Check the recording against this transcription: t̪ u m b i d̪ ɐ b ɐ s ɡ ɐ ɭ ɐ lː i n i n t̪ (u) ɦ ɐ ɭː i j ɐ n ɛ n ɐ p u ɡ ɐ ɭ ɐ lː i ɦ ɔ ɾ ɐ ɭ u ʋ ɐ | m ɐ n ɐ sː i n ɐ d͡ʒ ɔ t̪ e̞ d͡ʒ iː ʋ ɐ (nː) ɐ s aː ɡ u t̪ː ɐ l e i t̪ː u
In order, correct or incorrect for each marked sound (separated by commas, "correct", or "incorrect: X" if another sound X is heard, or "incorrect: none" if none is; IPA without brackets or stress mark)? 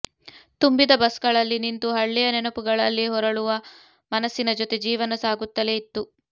correct, incorrect: n